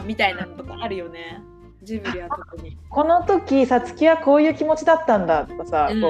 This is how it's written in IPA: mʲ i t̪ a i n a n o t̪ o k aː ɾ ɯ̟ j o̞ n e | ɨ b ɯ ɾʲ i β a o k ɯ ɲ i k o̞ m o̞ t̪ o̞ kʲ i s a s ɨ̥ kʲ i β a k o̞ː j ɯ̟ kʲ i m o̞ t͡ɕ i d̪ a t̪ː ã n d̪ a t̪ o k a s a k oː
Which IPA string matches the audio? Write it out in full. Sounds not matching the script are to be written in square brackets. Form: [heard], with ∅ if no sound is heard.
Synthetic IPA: mʲ i t̪ a i n a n o t̪ o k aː ɾ ɯ̟ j o̞ n e | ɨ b ɯ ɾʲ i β a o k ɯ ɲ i k o̞ [n] o̞ t̪ o̞ kʲ i s a [t͡s] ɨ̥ kʲ i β a k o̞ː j [ɯ̟ː] kʲ i m o̞ t͡ɕ i d̪ a t̪ː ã n d̪ a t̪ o k a s a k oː